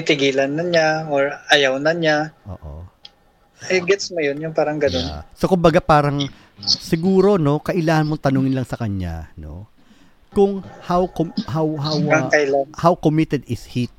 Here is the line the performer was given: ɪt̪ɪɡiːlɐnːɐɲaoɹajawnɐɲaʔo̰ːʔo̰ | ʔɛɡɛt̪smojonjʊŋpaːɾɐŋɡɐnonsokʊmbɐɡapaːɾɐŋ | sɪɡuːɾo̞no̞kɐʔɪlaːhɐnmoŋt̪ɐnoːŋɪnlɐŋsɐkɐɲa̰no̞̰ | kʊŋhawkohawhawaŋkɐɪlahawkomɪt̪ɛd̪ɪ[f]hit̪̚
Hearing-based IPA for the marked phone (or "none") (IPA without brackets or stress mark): s